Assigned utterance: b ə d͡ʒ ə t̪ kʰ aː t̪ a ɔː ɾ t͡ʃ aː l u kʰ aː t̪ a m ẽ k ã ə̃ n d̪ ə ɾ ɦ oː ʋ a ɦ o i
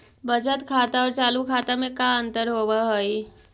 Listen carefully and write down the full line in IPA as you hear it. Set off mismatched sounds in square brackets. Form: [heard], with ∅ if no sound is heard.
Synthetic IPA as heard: b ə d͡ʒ ə t̪ kʰ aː t̪ a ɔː ɾ t͡ʃ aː l u kʰ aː t̪ a m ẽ k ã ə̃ n [t̪] ə ɾ ɦ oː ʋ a ɦ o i